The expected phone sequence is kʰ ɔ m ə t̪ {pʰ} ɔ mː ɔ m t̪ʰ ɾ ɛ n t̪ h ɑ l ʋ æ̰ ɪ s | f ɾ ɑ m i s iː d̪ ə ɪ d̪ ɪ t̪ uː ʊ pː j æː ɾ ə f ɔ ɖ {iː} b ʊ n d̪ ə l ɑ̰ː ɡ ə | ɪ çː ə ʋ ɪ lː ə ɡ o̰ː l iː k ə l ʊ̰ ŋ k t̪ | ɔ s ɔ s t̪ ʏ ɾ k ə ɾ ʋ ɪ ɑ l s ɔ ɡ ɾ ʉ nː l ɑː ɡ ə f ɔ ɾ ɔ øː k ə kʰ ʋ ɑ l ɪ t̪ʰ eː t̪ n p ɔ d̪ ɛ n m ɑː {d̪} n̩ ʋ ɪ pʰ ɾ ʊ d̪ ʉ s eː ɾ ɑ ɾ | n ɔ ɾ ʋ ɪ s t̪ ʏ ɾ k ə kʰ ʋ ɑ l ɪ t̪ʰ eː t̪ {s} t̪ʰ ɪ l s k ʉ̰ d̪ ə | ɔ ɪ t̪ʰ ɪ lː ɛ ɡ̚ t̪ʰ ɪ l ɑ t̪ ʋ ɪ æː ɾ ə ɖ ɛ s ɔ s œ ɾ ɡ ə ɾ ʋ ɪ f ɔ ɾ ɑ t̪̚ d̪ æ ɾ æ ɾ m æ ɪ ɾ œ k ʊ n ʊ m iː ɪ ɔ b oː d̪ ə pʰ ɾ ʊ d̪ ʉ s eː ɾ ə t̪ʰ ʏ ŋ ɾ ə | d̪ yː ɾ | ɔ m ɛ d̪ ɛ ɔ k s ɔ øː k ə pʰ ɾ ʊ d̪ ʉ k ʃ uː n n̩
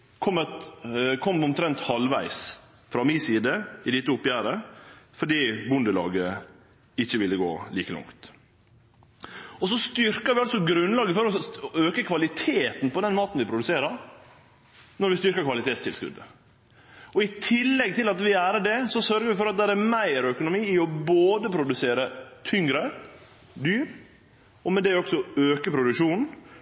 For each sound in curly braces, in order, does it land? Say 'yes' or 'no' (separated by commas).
no, yes, no, yes